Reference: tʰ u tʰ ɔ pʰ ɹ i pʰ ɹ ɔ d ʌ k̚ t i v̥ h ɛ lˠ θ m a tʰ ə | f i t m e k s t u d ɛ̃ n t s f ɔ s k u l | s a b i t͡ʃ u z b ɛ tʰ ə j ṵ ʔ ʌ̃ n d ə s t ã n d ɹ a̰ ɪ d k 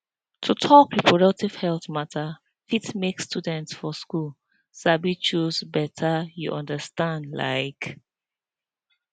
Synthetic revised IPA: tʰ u tʰ ɔ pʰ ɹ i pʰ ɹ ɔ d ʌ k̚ t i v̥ h ɛ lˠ θ m a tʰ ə | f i t m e k s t u d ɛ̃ n t s f ɔ s k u l | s a b i t͡ʃ u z b ɛ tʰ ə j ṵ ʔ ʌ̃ n d ə s t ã n d l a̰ ɪ k